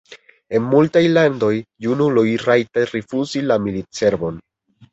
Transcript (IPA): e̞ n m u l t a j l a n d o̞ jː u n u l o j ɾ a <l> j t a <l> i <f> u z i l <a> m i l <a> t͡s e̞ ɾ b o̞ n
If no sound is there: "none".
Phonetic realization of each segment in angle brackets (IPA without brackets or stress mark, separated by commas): none, ɾ, f, a, i